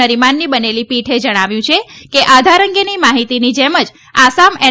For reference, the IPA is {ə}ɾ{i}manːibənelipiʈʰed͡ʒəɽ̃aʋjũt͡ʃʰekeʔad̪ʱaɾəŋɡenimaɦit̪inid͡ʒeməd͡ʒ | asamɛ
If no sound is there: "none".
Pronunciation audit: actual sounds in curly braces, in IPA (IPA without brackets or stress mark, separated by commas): ə, i